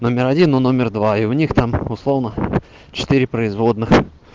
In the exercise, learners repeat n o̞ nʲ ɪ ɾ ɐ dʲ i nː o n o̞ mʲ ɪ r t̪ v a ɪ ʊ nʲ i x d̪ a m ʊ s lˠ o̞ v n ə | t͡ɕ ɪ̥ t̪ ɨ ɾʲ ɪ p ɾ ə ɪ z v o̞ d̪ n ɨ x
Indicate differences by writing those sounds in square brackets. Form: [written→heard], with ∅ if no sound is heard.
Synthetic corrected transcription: n o̞ [nʲ→mʲ] ɪ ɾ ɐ dʲ i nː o n o̞ mʲ ɪ r [t̪→d̪] v a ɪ ʊ nʲ i x [d̪→t̪] a m ʊ s lˠ o̞ v n ə | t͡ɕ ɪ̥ t̪ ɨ ɾʲ ɪ p ɾ ə ɪ z v o̞ d̪ n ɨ x

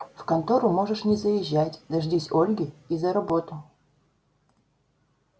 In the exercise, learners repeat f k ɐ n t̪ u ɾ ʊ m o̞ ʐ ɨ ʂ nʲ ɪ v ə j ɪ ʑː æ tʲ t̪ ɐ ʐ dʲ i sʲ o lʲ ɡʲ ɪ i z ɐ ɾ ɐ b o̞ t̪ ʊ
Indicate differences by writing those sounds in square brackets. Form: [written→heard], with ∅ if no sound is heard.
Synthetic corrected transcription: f k ɐ n t̪ [u→o] ɾ ʊ m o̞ ʐ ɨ ʂ nʲ ɪ [v→z] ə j ɪ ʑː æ tʲ [t̪→d̪] ɐ ʐ dʲ i sʲ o lʲ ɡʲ ɪ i z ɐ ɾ ɐ b o̞ t̪ ʊ

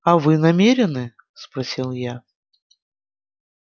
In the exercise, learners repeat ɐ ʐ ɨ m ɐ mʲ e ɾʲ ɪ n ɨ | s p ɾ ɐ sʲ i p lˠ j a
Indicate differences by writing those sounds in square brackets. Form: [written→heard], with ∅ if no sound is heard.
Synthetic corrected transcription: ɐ [ʐ→v] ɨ [m→n] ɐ mʲ e ɾʲ ɪ n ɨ | s p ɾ ɐ sʲ i [p→∅] lˠ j a

